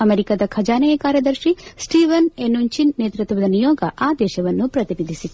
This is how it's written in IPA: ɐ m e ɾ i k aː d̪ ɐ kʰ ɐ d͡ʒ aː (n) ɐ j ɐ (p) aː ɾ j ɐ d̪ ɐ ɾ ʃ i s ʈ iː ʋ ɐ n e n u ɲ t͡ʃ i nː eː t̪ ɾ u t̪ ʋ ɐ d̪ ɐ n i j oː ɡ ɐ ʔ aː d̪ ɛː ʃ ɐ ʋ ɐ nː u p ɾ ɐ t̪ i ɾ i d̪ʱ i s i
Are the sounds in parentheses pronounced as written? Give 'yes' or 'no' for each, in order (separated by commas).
yes, no